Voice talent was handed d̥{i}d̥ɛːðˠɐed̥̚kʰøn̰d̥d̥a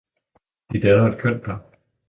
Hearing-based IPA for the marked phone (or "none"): i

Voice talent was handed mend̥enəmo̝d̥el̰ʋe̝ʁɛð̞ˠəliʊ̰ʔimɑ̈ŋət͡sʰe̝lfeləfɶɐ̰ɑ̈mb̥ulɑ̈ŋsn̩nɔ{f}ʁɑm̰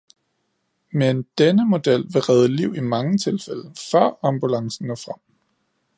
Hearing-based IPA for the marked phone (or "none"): f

